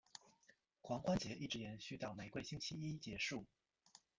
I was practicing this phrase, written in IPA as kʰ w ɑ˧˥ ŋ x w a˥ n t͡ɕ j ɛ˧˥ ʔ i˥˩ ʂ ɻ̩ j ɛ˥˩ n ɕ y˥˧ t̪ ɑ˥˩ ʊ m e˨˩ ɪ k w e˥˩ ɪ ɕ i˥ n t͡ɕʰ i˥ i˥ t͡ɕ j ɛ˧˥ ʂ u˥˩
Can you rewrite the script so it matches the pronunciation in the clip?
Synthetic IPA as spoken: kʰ w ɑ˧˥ ŋ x w a˥ n t͡ɕ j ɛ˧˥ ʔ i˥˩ ʈ͡ʂ ɻ̩ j ɛ˨˧˥ n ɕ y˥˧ t̪ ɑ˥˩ ʊ m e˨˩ ɪ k w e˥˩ ɪ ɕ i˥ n t͡ɕʰ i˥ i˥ t͡ɕ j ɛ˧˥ ʂ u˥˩